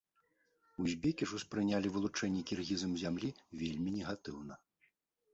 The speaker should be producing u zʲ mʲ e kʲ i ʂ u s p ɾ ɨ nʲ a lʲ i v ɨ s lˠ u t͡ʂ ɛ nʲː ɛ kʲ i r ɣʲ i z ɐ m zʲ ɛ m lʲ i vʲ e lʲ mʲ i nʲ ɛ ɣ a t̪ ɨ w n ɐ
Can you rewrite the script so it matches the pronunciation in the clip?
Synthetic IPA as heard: u zʲ bʲ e kʲ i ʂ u s p ɾ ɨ nʲ a lʲ i v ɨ lˠ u t͡ʂ ɛ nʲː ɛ kʲ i r ɣʲ i z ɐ m zʲ a m lʲ i vʲ e lʲ mʲ i nʲ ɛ ɣ a t̪ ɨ w n ɐ